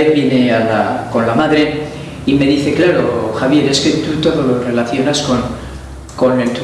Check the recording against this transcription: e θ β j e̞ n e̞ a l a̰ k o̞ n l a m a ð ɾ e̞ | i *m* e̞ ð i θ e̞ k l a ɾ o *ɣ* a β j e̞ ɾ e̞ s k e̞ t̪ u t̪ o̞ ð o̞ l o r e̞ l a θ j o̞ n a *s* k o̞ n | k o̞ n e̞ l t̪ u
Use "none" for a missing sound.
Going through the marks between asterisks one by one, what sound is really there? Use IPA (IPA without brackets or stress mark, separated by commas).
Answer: m, x, s